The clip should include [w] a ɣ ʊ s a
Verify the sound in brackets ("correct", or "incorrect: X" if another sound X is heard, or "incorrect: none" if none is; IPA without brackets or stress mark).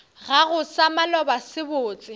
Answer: incorrect: ɣ